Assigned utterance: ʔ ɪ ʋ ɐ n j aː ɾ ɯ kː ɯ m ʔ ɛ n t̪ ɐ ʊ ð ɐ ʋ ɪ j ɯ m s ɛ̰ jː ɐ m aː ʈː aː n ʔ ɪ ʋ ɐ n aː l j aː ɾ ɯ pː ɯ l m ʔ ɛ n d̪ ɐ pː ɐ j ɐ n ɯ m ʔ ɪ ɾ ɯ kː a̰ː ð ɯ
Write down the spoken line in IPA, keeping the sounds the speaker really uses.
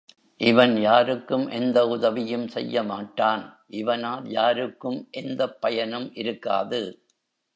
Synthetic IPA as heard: ʔ ɪ ʋ ɐ n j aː ɾ ɯ kː ɯ m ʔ ɛ n d̪ ɐ ʊ ð ɐ ʋ ɪ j ɯ m s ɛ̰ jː ɐ m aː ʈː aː n ʔ ɪ ʋ ɐ n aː l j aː ɾ ɯ kː ɯ m ʔ ɛ n d̪ ɐ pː ɐ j ɐ n ɯ m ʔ ɪ ɾ ɯ kː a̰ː ð ɯ